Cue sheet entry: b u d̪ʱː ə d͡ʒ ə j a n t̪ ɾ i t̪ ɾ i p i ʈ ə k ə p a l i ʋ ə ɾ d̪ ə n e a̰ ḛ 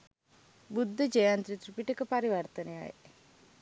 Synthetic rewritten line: b u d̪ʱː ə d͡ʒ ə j a n t̪ ɾ i t̪ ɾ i p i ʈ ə k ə p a ɾ i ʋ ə ɾ t̪ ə n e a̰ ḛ

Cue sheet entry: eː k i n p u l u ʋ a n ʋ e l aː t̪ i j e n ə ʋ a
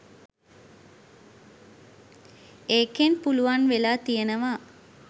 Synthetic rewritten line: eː k e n p u l u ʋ a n ʋ e l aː t̪ i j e n ə ʋ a

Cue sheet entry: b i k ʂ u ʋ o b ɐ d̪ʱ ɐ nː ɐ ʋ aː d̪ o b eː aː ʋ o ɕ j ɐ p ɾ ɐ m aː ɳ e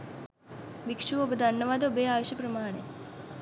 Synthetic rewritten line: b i k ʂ u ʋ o b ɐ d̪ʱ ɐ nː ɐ ʋ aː d̪ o b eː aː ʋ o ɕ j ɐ p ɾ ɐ m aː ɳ e

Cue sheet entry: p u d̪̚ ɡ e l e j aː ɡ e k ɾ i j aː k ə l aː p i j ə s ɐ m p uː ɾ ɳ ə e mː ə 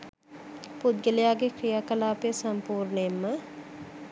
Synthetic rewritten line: p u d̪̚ ɡ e l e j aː ɡ e k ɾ i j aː k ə l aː p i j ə s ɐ m p uː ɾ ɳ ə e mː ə

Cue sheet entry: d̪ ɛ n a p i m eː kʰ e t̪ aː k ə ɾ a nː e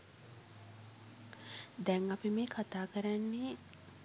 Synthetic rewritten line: d̪ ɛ ŋ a p i m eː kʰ a t̪ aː k ə ɾ a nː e

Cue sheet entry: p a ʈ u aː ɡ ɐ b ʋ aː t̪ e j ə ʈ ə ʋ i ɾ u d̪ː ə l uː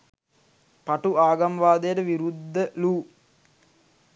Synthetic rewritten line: p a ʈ u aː ɡ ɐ m ʋ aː d̪ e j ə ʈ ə ʋ i ɾ u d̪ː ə l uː

